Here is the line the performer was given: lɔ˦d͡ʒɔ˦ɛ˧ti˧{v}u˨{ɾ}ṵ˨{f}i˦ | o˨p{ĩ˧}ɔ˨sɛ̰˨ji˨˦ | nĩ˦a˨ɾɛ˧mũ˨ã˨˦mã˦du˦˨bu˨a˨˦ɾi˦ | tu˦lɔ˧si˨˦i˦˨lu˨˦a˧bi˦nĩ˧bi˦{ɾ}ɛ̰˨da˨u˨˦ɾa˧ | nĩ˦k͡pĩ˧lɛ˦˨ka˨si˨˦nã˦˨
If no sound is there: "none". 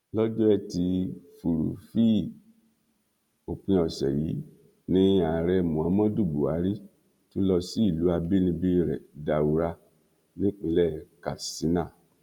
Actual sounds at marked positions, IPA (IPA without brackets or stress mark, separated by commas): f, ɾ, f, ĩ˧, ɾ